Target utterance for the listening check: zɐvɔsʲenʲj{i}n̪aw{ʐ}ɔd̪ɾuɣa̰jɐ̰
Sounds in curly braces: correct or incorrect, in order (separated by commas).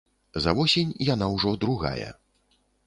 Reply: incorrect, correct